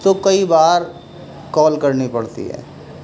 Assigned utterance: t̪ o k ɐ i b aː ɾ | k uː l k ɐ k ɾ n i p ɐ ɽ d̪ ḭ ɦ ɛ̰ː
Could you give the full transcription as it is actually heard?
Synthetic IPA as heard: t̪ o k ɐ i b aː ɾ | k ɔː l k ɐ ɾ n i p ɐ ɽ t̪ ḭ ɦ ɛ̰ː